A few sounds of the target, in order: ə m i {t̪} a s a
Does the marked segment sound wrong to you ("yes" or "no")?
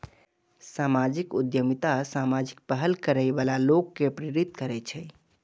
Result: no